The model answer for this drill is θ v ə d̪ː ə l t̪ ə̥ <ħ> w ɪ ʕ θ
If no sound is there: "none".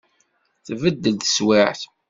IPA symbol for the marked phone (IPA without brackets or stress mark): s